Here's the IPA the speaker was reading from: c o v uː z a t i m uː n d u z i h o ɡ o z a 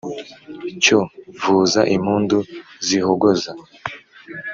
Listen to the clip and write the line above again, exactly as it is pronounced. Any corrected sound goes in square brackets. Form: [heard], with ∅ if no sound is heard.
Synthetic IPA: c o v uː z a [ʔ] i m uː n d u z i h o ɡ o z a